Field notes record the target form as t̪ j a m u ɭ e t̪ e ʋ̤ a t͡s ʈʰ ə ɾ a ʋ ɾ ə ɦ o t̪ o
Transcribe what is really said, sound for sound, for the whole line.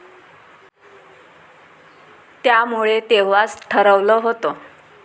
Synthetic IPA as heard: t̪ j a m u ɭ e t̪ e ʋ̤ a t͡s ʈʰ ə ɾ ə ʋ l ə ɦ o t̪ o

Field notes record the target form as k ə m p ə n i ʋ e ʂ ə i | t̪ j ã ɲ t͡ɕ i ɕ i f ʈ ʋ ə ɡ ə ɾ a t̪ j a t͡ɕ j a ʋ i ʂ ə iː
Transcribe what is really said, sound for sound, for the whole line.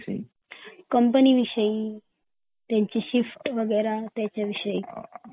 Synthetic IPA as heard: k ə m p ə n i ʋ i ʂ ə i | t̪ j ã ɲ t͡ɕ i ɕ i f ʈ ʋ ə ɡ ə ɾ a t̪ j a t͡ɕ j a ʋ i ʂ ə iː

